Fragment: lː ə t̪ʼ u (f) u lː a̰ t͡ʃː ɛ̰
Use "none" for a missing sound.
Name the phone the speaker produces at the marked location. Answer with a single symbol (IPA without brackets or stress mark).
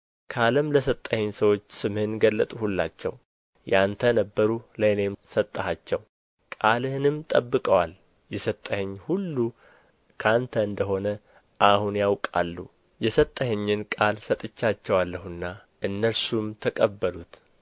h